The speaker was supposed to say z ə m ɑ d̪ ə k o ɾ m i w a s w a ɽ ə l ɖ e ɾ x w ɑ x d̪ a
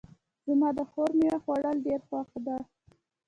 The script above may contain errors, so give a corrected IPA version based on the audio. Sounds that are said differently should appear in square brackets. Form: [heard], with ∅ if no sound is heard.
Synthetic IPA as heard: z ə m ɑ d̪ ə [x] o ɾ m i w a [x] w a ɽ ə l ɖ e ɾ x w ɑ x d̪ a